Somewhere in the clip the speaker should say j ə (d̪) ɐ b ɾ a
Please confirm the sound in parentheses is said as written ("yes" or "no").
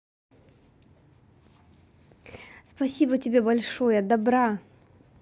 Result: yes